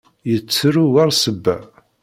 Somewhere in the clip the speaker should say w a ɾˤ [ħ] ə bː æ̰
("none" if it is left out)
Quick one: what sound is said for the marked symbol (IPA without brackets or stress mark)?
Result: s